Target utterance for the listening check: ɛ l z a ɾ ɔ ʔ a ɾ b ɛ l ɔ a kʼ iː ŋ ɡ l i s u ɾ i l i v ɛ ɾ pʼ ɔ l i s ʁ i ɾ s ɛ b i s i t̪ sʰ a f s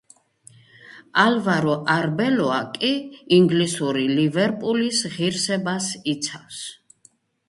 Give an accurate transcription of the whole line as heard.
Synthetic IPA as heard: a l v a ɾ ɔ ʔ a ɾ b ɛ l ɔ a kʼ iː ŋ ɡ l i s u ɾ i l i v ɛ ɾ pʼ u l i s ʁ i ɾ s ɛ b a s i t̪ sʰ a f s